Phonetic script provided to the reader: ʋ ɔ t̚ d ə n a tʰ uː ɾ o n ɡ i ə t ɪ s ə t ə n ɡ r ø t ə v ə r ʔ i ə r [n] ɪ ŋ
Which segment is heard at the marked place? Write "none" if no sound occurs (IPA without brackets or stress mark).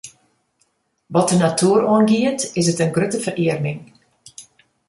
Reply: n